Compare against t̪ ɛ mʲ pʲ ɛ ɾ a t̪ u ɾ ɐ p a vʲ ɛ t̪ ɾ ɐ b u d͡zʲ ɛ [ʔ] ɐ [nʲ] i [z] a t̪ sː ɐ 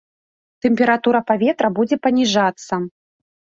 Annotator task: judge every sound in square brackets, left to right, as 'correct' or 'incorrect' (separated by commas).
incorrect, correct, incorrect